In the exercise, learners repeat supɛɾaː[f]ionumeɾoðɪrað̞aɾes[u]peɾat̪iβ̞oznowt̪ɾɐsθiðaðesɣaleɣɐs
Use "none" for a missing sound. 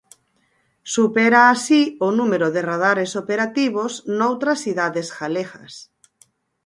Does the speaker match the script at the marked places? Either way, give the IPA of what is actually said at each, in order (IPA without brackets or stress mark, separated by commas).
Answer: s, o